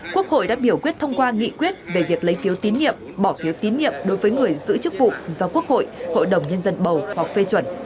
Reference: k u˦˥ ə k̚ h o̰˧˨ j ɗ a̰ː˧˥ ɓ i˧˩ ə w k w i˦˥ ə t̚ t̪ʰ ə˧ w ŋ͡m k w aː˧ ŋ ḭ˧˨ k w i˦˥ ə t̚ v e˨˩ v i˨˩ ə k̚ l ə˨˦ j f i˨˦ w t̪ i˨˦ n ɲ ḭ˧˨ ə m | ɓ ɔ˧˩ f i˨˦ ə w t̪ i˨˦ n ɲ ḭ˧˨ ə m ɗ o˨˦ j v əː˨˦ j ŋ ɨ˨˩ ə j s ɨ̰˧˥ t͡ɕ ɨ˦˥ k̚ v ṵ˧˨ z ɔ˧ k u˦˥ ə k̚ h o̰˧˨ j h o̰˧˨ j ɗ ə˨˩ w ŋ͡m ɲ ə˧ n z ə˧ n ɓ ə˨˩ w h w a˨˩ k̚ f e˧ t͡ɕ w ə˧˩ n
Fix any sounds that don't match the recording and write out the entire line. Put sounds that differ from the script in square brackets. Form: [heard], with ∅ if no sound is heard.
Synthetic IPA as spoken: k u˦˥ ə k̚ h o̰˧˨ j ɗ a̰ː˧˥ ɓ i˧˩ ə w k w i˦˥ ə t̚ t̪ʰ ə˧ w ŋ͡m k w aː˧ ŋ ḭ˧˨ k w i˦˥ ə t̚ v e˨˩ v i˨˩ ə k̚ l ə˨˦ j f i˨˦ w t̪ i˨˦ n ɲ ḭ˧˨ ə m | ɓ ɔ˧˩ f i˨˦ ə w t̪ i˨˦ n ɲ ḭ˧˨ ə m ɗ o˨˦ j v əː˨˦ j ŋ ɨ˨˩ ə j [z] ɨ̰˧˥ t͡ɕ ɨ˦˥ k̚ v ṵ˧˨ z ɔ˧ k u˦˥ ə k̚ h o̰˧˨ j h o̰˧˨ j ɗ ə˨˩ w ŋ͡m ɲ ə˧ n z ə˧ n ɓ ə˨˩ w h w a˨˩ k̚ f e˧ t͡ɕ w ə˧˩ n